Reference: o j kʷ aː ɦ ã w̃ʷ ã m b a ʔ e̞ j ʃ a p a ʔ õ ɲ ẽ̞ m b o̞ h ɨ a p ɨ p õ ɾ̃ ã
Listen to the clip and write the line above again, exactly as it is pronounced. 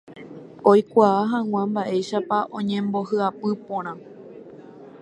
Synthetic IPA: o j kʷ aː ɦ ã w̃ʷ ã m b a ʔ e̞ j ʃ a p a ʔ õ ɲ ẽ̞ m b o̞ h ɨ a p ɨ p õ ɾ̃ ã